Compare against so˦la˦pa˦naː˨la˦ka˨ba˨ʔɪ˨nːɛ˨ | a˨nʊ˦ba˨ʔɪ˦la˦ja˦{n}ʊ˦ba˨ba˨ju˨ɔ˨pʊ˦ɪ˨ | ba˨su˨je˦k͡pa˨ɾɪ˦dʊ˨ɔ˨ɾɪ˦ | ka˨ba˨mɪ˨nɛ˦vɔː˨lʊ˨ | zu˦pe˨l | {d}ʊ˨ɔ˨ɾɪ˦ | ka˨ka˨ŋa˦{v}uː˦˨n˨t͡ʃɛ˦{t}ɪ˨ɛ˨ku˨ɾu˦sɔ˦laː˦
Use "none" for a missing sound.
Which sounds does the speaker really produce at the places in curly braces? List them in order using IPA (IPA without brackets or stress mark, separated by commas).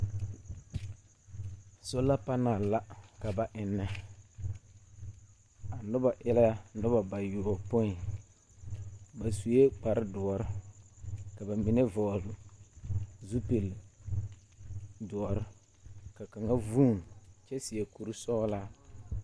n, d, v, s